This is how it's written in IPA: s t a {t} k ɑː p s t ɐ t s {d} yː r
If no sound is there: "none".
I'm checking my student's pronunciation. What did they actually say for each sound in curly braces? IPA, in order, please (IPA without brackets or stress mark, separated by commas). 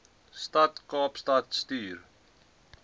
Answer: t, t